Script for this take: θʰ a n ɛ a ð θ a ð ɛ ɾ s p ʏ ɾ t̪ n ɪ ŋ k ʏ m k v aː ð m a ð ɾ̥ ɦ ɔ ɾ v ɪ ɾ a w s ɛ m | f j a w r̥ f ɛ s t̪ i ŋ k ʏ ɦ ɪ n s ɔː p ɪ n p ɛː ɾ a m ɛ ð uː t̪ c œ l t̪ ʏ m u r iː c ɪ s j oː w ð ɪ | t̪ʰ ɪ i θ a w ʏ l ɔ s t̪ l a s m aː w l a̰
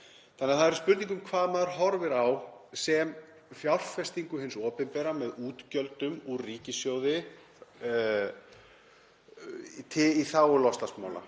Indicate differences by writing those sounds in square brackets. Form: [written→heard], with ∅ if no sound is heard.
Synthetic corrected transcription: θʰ a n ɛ a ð θ a ð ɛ ɾ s p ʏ ɾ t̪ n [ɪ→i] ŋ k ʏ m [k→kʰ] v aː ð m a ð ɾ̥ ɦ ɔ ɾ v ɪ ɾ a w s ɛ m | f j a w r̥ f ɛ s t̪ i ŋ k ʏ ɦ ɪ n s ɔː p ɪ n p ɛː ɾ a m ɛ ð uː t̪ c œ l t̪ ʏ m u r iː c ɪ s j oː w ð ɪ | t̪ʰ ɪ i θ a w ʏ l ɔ s t̪ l a s m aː w l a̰